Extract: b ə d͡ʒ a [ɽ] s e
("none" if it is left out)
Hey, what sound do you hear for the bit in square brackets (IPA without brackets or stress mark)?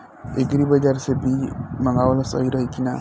ɾ